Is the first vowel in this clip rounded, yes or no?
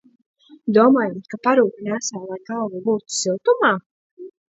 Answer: yes